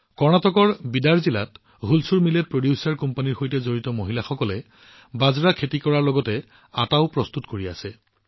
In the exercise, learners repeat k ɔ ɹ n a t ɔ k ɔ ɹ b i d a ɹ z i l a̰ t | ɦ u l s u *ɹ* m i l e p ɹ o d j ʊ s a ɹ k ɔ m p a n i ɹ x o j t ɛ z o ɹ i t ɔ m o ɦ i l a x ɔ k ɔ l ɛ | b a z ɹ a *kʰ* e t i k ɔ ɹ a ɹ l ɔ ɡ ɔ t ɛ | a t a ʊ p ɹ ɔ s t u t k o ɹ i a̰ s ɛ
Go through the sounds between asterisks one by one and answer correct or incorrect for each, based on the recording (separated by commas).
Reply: correct, correct